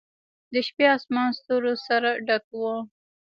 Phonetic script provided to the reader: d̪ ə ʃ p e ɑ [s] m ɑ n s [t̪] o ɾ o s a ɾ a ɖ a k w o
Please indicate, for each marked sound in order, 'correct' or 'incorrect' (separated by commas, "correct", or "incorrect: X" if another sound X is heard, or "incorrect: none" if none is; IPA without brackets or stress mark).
correct, correct